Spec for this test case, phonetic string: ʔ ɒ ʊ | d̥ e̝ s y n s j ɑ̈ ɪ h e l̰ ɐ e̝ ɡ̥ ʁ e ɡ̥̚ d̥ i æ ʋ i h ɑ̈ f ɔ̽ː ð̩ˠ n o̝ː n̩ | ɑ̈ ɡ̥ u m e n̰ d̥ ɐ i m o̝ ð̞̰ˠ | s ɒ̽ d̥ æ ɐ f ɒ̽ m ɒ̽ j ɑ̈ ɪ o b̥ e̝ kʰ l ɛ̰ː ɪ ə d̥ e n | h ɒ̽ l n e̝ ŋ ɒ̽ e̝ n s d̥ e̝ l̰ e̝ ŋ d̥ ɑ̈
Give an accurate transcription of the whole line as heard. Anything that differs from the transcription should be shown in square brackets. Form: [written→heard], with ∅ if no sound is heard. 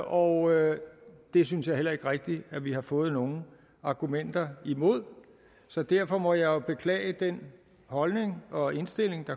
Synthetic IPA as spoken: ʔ ɒ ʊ | d̥ e̝ s y n s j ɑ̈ ɪ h e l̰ ɐ e̝ ɡ̥ ʁ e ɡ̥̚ d̥ i æ ʋ i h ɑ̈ f ɔ̽ː ð̩ˠ n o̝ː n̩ | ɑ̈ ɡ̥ u m e n̰ d̥ ɐ i m o̝ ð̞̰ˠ | s ɒ̽ d̥ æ ɐ f ɒ̽ m ɒ̽ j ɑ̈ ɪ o b̥ e̝ kʰ l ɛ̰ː ɪ ə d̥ e n | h ɒ̽ l n e̝ ŋ ɒ̽ e̝ n s d̥ e̝ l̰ e̝ ŋ d̥ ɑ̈